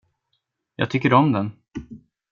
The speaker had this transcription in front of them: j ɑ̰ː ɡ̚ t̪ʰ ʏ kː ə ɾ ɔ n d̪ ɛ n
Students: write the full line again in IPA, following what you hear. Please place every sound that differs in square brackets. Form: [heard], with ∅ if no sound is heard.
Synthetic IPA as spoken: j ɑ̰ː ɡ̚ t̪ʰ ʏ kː ə ɾ ɔ [m] d̪ ɛ n